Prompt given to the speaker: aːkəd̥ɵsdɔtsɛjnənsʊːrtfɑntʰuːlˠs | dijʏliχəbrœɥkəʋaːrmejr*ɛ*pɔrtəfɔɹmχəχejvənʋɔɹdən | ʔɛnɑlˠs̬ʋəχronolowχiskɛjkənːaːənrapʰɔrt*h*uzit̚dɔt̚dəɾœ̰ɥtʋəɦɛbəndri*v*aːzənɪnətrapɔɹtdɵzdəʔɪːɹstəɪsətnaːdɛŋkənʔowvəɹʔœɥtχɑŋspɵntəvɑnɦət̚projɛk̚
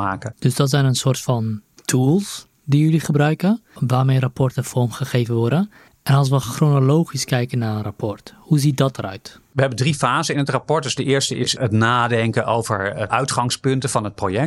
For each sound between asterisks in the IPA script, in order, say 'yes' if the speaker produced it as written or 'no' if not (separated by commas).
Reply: no, yes, no